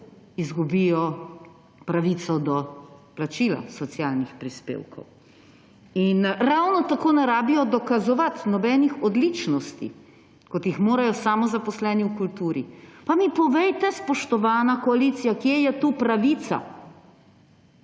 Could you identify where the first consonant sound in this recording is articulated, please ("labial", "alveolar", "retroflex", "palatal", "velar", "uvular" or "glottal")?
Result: alveolar